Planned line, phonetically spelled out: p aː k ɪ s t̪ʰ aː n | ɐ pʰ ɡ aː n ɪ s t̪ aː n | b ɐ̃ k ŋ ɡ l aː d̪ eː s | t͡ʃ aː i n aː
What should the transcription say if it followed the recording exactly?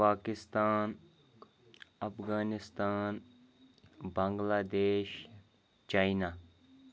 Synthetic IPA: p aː k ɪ s t̪ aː n | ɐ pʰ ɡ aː n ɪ s t̪ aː n | b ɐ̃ ŋ ɡ l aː d̪ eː ʃ | t͡ʃ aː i n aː

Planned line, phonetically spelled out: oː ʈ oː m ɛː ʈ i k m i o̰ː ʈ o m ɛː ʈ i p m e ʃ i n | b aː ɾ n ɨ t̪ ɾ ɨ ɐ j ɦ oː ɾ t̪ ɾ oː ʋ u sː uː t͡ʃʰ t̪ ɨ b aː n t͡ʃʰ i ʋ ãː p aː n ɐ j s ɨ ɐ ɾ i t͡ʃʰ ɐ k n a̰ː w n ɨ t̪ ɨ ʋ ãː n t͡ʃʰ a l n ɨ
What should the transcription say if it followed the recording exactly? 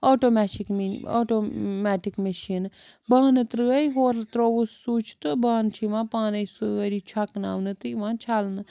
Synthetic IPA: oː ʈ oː m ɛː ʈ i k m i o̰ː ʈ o m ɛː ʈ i k m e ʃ i n | b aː n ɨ t̪ ɾ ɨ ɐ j ɦ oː ɾ t̪ ɾ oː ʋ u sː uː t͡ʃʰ t̪ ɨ b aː n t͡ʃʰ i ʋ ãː p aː n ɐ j s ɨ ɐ ɾ i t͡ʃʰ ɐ k n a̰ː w n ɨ t̪ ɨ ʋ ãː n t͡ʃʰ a l n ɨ

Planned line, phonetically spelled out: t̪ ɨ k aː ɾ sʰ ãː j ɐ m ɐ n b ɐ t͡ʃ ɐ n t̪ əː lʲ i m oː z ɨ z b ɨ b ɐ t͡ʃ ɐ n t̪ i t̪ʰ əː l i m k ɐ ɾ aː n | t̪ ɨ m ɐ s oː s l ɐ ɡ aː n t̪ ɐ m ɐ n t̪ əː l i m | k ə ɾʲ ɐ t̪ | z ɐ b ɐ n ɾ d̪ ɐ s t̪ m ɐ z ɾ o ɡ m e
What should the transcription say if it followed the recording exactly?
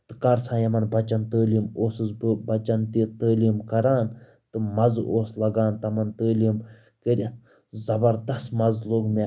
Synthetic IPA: t̪ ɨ k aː ɾ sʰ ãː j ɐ m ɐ n b ɐ t͡ʃ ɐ n t̪ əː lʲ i m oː s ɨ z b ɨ b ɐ t͡ʃ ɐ n t̪ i t̪ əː l i m k ɐ ɾ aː n | t̪ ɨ m ɐ z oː s l ɐ ɡ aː n t̪ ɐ m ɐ n t̪ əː l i m | k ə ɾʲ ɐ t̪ | z ɐ b ɐ ɾ d̪ ɐ s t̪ m ɐ z l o ɡ m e

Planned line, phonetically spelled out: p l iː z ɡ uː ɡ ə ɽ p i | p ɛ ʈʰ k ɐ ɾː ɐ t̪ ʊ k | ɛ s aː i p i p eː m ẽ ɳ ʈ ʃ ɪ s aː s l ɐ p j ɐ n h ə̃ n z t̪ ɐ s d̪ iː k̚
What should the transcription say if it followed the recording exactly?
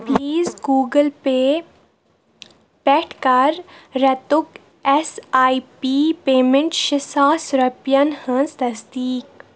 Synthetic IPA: p l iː z ɡ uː ɡ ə l p e | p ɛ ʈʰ k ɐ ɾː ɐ t̪ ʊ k | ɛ s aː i p i p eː m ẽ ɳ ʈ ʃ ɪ s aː s ɾ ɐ p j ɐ n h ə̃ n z t̪ ɐ s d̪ iː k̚

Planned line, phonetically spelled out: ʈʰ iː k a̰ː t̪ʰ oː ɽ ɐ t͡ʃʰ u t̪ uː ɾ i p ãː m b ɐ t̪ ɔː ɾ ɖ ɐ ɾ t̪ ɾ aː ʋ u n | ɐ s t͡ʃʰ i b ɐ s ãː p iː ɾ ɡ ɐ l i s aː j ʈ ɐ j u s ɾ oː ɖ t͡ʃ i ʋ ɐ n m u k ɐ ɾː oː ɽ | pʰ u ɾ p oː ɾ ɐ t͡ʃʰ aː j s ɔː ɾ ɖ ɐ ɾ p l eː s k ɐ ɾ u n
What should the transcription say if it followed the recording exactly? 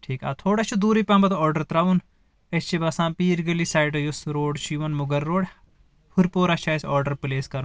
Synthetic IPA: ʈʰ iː k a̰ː t̪ʰ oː ɽ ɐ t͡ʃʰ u d̪ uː ɾ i p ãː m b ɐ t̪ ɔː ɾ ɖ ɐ ɾ t̪ ɾ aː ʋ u n | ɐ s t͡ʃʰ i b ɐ s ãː p iː ɾ ɡ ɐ l i s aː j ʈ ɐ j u s ɾ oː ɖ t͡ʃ i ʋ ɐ n m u ɡ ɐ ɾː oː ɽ | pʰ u ɾ p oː ɾ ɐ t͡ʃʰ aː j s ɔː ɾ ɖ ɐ ɾ p l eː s k ɐ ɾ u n

